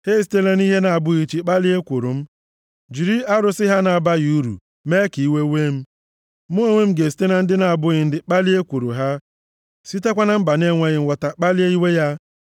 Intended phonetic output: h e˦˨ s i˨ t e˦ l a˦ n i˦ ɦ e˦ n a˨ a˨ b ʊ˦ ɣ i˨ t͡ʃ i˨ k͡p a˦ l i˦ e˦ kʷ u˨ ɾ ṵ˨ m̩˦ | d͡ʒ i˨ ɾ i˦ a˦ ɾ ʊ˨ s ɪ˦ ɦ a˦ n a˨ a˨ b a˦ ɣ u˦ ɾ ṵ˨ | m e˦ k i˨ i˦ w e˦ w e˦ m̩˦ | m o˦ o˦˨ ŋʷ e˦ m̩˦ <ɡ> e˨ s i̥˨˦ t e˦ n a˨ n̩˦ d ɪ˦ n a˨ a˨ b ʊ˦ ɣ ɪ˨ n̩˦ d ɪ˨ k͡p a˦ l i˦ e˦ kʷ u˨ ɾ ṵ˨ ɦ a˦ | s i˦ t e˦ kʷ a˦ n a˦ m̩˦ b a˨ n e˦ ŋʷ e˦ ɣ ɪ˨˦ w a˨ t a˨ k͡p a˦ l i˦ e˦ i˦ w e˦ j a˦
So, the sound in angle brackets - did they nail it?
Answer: yes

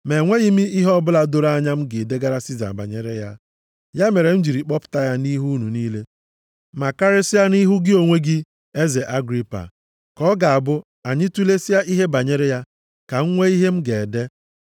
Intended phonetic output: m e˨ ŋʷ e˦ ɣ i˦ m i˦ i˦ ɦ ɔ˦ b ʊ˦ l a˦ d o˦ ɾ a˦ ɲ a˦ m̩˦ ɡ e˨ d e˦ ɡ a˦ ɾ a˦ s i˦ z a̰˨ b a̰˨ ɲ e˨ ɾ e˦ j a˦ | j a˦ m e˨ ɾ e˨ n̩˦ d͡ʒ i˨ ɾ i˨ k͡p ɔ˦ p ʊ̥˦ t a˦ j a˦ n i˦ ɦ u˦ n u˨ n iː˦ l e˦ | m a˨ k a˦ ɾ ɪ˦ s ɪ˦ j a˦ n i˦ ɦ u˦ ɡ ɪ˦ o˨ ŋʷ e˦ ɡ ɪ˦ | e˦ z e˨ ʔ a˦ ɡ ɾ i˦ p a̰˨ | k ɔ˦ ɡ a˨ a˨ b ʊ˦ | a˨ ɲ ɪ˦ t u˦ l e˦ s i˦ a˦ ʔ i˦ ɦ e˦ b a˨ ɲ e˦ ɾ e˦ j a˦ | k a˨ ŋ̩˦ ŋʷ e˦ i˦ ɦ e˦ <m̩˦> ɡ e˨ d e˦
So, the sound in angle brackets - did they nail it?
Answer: yes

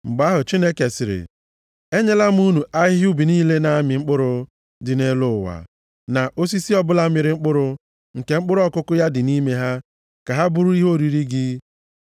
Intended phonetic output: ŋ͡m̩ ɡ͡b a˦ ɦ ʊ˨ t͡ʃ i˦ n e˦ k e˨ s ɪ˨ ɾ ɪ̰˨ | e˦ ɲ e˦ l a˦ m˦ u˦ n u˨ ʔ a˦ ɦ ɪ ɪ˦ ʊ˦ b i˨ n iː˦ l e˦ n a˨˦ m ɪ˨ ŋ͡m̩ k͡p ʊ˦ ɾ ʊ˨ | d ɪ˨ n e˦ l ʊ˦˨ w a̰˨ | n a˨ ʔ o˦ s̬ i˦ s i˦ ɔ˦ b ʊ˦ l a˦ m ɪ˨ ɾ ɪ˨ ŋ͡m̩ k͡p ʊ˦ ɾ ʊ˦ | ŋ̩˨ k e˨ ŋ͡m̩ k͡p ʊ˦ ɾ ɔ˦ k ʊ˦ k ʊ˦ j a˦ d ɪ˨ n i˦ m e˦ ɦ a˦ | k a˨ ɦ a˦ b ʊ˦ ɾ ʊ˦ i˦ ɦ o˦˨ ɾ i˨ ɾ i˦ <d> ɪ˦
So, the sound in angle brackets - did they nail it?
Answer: no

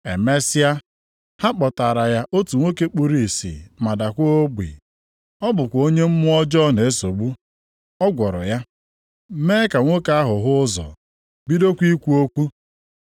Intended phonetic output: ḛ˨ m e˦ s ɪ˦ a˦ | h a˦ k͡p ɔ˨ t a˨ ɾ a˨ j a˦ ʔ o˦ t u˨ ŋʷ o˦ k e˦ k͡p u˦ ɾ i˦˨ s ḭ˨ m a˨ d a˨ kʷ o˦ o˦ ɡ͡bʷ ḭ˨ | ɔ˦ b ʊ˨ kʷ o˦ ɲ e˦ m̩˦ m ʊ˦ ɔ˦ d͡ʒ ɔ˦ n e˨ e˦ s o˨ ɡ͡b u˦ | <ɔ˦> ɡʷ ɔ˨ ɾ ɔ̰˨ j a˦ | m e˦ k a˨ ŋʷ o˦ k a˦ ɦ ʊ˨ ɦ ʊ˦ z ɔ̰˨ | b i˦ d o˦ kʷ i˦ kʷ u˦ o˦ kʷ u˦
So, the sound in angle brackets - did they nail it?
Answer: yes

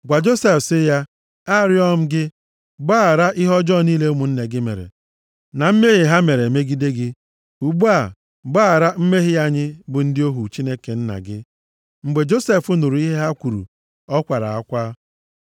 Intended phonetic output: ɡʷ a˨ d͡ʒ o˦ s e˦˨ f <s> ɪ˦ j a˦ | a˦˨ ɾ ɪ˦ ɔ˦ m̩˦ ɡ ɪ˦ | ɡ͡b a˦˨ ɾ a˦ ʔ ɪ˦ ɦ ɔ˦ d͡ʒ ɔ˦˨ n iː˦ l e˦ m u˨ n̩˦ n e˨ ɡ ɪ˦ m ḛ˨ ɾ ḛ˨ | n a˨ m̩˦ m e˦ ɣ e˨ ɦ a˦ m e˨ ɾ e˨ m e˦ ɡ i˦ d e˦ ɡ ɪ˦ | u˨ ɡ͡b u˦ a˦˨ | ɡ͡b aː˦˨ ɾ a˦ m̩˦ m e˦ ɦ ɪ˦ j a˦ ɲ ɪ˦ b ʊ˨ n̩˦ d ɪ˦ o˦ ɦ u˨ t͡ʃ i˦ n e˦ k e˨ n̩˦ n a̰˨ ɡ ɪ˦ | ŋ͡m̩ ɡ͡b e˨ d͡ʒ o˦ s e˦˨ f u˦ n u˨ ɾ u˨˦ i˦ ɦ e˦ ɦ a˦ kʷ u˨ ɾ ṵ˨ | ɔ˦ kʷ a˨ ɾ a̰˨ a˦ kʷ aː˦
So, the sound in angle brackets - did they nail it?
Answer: yes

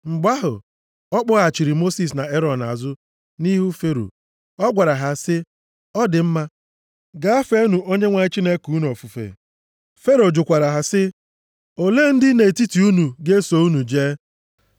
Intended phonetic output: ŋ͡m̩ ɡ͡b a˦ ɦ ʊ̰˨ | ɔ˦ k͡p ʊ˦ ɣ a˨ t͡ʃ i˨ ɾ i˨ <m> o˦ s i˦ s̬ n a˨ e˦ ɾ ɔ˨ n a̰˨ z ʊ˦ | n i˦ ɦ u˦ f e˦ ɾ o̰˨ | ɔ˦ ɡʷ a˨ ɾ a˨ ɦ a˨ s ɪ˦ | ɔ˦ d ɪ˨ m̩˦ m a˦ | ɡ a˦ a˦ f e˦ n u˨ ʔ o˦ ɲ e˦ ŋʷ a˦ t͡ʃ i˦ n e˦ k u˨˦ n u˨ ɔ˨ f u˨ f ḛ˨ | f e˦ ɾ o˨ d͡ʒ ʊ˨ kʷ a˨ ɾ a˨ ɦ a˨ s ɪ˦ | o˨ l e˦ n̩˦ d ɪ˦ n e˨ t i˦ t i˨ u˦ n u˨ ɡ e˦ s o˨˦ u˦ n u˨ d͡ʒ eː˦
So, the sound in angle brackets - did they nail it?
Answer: yes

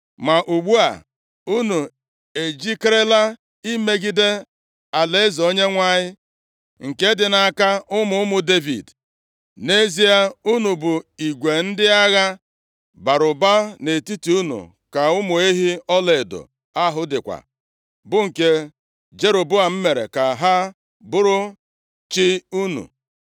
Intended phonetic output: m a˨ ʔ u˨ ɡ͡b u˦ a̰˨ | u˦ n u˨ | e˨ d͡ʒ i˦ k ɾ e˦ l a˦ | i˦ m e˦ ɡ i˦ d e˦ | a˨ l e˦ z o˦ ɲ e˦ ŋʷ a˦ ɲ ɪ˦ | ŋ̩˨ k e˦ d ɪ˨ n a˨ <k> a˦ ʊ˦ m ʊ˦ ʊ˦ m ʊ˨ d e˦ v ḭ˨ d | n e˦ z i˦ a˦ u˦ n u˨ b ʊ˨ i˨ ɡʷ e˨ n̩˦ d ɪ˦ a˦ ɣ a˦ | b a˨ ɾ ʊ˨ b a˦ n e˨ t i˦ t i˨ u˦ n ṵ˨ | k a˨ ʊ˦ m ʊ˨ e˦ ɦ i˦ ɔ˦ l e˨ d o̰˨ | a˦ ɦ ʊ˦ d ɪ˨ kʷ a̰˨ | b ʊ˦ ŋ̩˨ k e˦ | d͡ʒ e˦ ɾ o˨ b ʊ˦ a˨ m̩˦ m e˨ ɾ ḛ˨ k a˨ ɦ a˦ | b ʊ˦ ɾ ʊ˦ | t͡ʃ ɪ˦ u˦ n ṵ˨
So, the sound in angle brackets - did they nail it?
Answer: yes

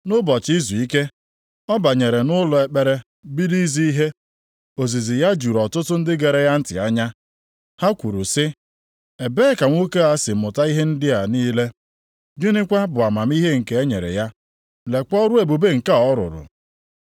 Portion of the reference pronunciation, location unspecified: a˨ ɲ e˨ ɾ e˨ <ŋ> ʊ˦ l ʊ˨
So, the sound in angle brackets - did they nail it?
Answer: no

